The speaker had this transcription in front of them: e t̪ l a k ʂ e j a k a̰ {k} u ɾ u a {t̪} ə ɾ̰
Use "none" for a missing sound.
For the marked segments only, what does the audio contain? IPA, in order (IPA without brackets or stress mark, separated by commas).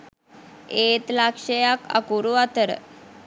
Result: k, t̪